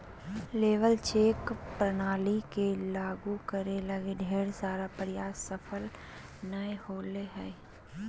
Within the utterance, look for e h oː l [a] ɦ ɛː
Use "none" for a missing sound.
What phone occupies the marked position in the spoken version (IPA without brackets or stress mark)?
e